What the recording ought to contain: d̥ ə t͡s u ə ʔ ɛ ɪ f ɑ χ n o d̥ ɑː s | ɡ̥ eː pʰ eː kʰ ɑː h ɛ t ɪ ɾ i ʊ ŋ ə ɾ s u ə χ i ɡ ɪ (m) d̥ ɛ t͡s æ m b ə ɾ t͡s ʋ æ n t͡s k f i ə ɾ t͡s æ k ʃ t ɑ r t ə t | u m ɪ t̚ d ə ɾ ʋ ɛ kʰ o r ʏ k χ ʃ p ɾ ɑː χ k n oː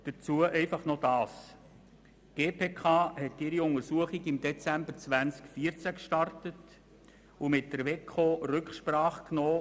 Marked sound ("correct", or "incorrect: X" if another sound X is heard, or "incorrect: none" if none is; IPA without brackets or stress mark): correct